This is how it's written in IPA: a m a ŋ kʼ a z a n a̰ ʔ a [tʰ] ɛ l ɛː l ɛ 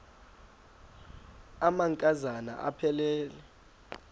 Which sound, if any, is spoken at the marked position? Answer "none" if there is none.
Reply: pʰ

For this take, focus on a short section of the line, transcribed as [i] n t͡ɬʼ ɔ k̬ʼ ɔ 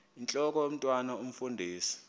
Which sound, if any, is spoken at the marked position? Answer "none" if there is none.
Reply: i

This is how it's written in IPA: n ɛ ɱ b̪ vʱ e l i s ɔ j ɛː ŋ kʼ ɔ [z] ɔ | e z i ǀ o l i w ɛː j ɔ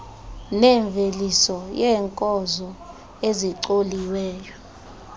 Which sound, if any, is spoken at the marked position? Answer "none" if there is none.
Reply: z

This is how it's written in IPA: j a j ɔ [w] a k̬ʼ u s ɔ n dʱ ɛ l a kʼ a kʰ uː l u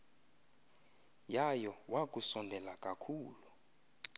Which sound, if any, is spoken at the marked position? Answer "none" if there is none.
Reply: w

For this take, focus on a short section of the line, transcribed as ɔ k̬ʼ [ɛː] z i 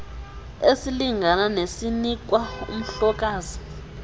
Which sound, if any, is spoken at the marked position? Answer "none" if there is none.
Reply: aː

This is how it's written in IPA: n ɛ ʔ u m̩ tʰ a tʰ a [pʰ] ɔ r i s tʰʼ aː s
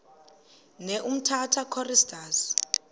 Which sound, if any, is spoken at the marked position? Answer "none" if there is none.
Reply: kʰ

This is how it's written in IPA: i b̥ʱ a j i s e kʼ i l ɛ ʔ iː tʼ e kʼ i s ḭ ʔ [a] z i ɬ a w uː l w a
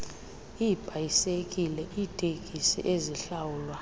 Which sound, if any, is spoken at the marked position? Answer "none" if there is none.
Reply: e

